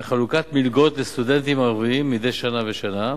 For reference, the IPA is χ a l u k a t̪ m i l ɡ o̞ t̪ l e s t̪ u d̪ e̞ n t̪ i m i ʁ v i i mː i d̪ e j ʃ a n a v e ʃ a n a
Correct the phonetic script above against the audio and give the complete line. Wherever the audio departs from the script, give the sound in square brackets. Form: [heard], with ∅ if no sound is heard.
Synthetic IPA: χ a l u k a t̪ m i l ɡ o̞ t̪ l e s t̪ u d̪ e̞ n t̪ i m [a] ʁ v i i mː i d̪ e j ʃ a n a v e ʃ a n a